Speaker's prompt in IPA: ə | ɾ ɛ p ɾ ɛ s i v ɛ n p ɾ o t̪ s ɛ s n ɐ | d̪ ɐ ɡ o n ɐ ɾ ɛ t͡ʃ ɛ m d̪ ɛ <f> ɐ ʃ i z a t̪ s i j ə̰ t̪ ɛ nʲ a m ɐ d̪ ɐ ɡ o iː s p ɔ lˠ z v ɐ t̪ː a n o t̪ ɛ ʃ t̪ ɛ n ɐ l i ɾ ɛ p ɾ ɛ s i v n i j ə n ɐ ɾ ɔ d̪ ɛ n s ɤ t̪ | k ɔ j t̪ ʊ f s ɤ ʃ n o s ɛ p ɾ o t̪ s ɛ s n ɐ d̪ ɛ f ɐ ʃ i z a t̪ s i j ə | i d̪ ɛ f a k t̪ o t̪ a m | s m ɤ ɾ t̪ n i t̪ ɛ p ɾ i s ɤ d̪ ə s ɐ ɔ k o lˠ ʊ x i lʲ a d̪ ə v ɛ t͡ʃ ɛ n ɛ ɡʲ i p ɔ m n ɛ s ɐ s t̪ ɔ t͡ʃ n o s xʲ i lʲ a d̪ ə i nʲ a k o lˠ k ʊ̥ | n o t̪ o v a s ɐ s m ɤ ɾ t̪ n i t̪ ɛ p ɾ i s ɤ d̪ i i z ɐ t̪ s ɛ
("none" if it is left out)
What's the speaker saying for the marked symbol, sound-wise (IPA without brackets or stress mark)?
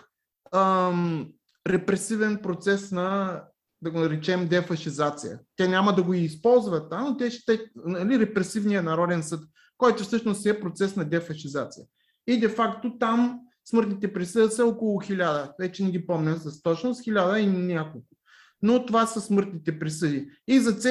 f